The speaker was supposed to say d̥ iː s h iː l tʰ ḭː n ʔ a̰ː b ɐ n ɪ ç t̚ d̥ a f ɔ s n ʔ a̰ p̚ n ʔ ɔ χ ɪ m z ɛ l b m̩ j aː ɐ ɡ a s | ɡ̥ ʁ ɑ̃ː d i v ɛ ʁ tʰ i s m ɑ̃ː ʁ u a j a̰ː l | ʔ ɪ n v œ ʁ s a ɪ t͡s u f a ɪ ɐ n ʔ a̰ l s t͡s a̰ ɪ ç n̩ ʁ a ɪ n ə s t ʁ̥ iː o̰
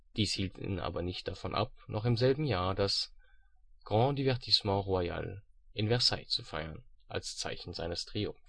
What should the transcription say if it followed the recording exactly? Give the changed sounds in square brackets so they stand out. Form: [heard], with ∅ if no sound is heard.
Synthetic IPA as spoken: d̥ iː s h iː l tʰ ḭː n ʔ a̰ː b ɐ n ɪ ç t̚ d̥ a f ɔ [∅] n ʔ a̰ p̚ n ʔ ɔ χ ɪ m z ɛ l b m̩ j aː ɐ [d] a s | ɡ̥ ʁ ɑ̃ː d i v ɛ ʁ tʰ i s m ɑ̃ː ʁ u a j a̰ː l | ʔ ɪ n v [ɛ] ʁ s a ɪ t͡s u f a ɪ ɐ n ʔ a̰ l s t͡s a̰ ɪ ç n̩ [z] a ɪ n ə s t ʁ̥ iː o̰

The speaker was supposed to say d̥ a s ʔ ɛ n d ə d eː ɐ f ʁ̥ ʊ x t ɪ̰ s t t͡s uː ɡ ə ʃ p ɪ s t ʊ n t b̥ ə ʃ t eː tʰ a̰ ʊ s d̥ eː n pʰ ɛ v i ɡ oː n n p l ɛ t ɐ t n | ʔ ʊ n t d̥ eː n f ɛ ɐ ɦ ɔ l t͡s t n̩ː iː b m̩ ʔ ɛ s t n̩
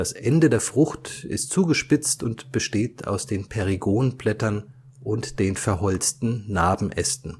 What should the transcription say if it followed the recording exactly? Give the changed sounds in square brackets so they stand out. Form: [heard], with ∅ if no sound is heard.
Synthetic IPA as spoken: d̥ a s ʔ ɛ n d ə d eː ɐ f ʁ̥ ʊ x t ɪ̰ s t t͡s uː ɡ ə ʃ p ɪ [t͡s] t ʊ n t b̥ ə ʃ t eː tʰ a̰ ʊ s d̥ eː n pʰ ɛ [ʁ] i ɡ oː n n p l ɛ t ɐ [∅] n | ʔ ʊ n t d̥ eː n f ɛ ɐ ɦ ɔ l t͡s t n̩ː [aː] b m̩ ʔ ɛ s t n̩

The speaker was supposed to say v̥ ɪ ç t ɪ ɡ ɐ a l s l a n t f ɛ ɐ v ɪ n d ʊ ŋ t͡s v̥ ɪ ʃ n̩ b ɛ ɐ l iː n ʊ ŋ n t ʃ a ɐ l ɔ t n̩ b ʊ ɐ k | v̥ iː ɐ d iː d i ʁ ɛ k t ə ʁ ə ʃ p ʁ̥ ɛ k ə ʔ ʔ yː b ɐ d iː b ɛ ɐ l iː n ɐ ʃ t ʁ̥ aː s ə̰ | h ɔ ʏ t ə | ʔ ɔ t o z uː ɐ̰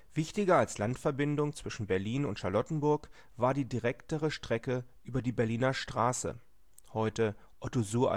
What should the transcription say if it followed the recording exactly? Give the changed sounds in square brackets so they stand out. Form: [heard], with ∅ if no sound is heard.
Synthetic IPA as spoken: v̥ ɪ ç t ɪ ɡ ɐ a l s l a n t f ɛ ɐ [b] ɪ n d ʊ ŋ t͡s v̥ ɪ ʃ n̩ b ɛ ɐ l iː n ʊ [∅] n t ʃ a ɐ l ɔ t n̩ b ʊ ɐ k | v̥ [aː] ɐ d iː d i ʁ ɛ k t ə ʁ ə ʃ [t] ʁ̥ ɛ k ə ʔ ʔ yː b ɐ d iː b ɛ ɐ l iː n ɐ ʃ t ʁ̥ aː s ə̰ | h ɔ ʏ t ə | ʔ ɔ t o z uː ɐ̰

